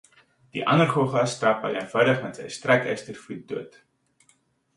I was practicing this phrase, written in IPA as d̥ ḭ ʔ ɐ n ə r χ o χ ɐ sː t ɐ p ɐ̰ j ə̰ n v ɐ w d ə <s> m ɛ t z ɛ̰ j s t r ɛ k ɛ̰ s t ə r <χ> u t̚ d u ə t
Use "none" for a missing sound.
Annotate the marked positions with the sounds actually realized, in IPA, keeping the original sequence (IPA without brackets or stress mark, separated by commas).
χ, f